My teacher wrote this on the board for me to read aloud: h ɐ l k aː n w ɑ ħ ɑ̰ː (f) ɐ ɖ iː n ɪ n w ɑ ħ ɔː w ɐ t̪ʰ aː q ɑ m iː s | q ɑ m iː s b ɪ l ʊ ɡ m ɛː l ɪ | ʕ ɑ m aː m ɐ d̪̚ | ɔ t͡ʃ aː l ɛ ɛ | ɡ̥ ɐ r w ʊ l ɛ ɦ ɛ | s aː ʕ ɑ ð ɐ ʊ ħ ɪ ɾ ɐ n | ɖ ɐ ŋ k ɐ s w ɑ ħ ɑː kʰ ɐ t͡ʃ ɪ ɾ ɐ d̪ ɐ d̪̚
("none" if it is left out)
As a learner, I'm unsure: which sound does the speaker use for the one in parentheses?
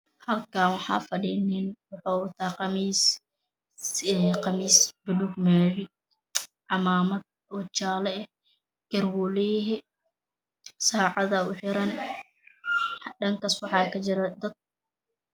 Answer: f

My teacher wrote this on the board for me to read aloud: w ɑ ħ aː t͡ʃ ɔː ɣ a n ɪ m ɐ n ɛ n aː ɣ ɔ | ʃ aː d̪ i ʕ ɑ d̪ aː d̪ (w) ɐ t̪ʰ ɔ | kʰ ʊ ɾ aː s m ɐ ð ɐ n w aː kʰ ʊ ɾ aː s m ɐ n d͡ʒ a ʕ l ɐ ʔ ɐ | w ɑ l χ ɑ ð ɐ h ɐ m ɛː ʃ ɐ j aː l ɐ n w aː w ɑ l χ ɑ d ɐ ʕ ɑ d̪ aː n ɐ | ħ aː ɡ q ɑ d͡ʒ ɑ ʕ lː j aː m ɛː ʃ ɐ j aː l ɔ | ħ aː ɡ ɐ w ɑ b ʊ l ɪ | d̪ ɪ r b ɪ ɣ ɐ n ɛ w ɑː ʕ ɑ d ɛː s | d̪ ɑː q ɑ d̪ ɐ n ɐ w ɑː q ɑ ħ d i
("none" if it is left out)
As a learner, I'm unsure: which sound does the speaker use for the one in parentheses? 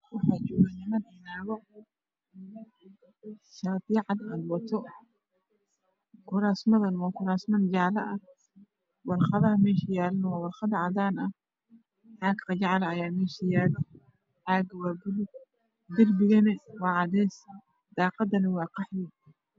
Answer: w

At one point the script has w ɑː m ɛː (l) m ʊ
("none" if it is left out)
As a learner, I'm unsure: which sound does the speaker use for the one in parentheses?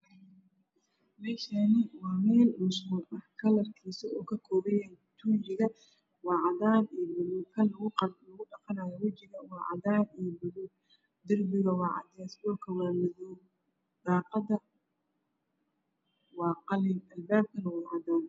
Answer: l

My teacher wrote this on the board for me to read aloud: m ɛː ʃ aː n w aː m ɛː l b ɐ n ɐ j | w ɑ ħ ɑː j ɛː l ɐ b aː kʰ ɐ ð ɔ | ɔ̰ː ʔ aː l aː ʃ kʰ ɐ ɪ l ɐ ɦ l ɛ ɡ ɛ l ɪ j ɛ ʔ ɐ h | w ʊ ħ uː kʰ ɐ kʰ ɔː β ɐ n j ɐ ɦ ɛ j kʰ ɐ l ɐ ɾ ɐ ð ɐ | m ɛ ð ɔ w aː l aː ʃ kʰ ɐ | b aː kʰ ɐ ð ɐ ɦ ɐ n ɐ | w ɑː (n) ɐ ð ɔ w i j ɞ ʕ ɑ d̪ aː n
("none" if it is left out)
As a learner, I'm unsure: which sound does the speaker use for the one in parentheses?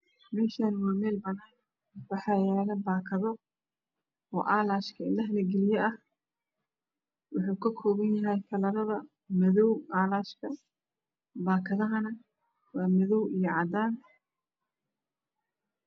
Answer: m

